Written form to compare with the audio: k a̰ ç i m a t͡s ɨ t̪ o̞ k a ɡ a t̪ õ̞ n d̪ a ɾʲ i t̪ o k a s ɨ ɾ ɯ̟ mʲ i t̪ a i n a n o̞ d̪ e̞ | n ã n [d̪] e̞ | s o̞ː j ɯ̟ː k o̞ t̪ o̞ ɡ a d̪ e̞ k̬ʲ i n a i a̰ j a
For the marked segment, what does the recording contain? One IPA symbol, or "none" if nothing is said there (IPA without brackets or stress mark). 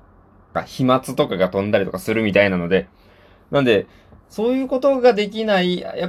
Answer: d̪